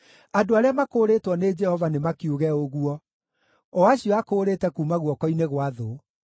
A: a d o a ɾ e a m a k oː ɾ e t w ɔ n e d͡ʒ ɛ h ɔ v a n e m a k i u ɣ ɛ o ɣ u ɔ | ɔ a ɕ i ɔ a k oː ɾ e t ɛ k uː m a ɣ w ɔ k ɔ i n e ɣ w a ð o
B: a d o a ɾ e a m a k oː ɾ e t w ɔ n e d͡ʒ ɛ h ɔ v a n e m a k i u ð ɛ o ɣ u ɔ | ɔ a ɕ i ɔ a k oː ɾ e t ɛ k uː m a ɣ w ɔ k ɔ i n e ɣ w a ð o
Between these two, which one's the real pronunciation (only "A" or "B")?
A